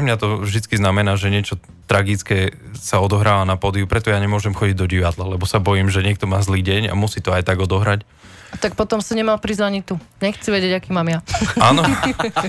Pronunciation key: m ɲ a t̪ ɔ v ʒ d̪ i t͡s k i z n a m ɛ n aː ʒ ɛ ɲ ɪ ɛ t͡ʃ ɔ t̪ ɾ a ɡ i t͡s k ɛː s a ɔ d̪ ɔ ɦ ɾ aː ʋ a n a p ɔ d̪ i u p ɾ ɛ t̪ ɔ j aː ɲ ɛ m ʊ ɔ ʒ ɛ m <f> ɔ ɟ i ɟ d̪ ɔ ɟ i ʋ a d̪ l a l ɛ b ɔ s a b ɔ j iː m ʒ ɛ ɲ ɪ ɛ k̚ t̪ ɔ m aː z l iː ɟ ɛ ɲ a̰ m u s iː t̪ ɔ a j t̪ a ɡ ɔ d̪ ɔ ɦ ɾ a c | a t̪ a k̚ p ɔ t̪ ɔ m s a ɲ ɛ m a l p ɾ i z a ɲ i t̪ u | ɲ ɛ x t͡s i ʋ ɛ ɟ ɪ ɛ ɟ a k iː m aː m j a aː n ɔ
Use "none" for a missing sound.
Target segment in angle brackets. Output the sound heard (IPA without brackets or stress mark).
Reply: x